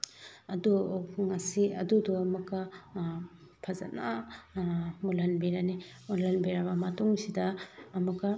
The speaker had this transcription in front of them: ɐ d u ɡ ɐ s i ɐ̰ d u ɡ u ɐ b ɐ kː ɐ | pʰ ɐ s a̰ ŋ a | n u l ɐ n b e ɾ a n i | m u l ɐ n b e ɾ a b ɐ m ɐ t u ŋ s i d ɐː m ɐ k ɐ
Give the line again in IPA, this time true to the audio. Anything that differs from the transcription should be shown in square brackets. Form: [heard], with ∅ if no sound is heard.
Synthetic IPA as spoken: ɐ d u [ŋ] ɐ s i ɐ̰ d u [d] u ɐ [m] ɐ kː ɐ | pʰ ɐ [z] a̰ [n] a | [m] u l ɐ n b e ɾ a n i | m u l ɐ n b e ɾ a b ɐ m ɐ t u ŋ s i d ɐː m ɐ k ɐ